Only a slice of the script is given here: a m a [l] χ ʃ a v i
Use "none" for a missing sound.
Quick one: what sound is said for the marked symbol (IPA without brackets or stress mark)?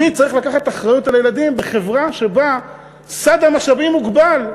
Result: none